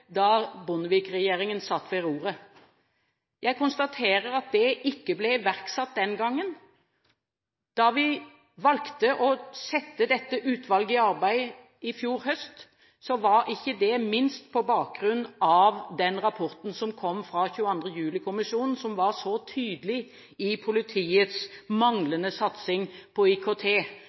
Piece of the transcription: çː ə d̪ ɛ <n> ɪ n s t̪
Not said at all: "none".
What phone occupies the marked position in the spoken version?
m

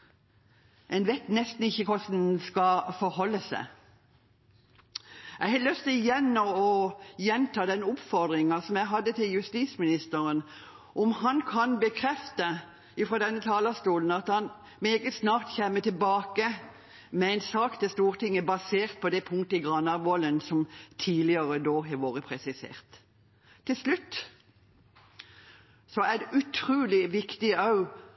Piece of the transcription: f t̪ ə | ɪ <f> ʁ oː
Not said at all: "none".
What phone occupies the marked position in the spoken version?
f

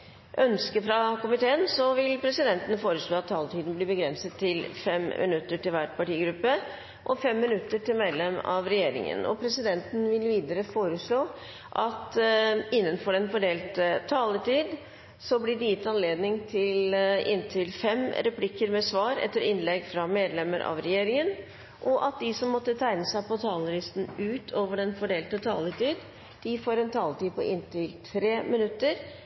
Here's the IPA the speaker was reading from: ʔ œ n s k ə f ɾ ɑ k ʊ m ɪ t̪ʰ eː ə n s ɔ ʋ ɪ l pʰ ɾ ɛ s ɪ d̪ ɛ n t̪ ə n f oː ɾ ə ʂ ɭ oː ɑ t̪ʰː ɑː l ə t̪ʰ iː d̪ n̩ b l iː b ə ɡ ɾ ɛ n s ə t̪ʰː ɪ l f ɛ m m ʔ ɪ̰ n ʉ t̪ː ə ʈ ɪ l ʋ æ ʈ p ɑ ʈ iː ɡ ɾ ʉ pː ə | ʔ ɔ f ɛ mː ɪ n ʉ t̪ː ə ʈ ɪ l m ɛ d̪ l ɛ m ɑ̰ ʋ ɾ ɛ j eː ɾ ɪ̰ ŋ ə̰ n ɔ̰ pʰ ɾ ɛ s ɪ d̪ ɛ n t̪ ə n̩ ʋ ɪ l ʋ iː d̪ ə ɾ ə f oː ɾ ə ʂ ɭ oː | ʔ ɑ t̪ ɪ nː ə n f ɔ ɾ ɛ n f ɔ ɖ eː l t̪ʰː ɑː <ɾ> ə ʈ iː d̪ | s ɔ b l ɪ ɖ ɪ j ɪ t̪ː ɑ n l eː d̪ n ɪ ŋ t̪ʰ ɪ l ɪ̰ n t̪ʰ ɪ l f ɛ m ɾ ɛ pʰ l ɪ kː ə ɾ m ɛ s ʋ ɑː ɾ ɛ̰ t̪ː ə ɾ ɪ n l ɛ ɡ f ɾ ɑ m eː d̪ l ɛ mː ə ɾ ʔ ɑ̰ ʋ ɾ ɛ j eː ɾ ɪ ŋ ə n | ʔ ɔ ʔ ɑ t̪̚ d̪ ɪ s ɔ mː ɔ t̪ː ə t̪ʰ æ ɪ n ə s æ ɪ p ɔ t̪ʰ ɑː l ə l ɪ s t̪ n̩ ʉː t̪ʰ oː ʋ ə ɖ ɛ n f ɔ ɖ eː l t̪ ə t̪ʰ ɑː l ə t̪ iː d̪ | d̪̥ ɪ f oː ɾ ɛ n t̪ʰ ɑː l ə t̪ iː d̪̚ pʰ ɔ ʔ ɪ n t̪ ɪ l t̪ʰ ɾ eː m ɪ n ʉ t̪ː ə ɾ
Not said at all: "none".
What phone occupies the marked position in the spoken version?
l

